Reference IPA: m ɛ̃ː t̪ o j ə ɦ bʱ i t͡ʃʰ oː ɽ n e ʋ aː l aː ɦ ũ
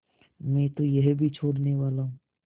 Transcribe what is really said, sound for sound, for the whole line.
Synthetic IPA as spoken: m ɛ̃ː t̪ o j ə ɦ bʱ i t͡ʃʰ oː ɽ n e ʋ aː l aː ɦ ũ